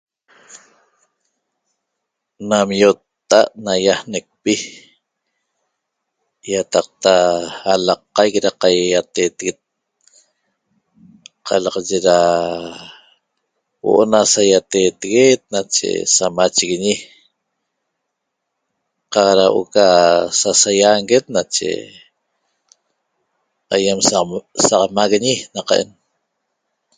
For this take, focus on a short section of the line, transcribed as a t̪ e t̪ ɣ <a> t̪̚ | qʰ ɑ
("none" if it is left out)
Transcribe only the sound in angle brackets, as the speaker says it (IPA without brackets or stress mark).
e